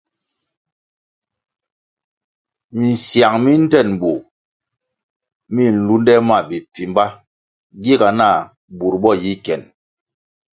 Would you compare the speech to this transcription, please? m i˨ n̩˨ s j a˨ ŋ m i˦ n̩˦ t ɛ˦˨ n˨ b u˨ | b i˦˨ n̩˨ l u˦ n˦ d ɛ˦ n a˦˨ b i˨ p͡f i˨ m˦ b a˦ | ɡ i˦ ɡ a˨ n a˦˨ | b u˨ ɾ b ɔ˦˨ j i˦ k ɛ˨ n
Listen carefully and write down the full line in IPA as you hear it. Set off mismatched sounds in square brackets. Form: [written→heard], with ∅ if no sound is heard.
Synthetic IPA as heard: m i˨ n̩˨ s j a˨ ŋ m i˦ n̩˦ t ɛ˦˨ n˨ b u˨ | [b→m] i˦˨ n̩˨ l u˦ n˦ d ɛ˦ [n→m] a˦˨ b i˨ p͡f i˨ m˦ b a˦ | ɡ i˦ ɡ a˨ n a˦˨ | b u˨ ɾ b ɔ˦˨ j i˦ k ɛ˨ n